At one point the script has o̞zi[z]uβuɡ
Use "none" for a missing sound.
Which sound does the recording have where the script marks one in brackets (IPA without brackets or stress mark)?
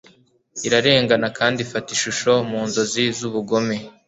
z